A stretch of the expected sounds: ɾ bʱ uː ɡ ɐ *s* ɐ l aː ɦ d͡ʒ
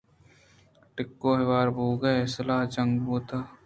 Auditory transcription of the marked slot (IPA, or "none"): s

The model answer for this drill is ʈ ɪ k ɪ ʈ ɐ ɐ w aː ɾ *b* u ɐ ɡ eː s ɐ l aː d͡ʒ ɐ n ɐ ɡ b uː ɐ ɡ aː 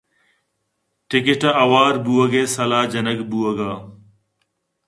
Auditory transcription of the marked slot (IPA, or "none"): b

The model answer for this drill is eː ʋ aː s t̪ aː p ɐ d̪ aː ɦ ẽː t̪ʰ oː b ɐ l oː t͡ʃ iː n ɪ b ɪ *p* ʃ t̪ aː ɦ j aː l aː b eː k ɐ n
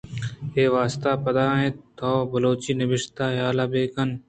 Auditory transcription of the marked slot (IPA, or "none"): none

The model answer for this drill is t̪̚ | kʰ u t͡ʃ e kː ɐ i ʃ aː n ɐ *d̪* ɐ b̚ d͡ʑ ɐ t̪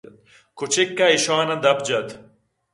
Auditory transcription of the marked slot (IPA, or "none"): d̪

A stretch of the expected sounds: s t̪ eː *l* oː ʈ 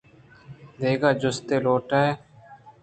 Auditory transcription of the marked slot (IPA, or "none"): l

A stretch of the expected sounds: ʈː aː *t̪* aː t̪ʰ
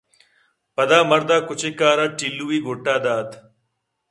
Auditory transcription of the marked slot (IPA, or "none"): d̪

